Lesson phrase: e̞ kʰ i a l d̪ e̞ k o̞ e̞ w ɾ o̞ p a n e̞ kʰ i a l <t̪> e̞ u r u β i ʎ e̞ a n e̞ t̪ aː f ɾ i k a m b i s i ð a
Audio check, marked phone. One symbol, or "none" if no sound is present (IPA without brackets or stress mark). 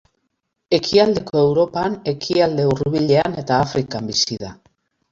d̪